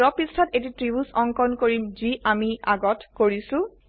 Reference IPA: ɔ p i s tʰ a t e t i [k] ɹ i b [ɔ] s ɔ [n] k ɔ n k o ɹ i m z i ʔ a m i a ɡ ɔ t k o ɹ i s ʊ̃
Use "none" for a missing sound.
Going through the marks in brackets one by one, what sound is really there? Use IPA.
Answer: t, u, ŋ

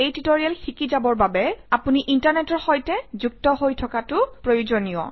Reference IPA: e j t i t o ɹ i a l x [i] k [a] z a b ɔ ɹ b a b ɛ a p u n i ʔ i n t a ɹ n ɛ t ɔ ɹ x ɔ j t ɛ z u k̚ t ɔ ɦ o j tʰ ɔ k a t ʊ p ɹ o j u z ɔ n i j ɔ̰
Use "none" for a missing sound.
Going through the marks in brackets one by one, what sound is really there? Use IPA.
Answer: i, i

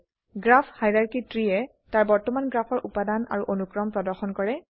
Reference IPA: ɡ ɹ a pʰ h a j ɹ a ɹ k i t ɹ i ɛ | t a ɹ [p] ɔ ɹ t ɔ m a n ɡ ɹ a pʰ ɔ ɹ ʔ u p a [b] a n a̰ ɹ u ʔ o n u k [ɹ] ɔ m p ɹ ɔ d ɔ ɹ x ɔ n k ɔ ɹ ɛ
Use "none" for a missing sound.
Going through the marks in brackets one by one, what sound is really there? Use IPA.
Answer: b, d, ɹ

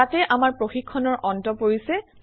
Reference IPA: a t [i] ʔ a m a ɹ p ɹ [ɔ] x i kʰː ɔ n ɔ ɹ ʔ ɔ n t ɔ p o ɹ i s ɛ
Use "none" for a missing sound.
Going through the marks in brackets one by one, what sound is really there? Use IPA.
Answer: ɛ, o

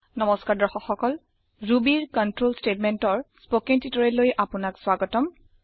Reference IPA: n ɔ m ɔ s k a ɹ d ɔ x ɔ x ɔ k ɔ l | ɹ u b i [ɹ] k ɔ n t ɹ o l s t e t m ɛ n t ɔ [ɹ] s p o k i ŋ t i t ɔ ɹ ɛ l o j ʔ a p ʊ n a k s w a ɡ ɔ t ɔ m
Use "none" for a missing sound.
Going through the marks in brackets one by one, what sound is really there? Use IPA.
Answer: ɹ, ɹ

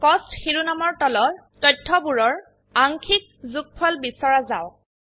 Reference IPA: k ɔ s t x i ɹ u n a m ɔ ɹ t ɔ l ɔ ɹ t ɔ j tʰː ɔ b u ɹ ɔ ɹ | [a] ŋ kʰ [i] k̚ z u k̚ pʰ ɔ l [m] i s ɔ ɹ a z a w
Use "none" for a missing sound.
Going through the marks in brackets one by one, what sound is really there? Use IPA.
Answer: a, i, b

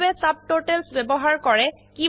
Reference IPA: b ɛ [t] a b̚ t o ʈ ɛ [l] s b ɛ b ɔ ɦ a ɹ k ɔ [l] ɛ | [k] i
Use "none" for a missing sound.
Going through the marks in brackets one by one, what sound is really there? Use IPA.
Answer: s, l, ɹ, k

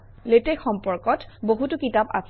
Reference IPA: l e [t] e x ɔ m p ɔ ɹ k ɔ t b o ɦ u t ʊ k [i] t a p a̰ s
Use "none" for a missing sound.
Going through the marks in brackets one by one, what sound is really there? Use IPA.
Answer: t, i

